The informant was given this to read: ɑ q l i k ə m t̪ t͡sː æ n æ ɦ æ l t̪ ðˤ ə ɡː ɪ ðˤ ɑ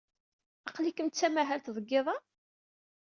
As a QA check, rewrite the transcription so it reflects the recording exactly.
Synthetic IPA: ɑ q l i k ə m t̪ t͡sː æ m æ ɦ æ l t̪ ðˤ ə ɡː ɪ ðˤ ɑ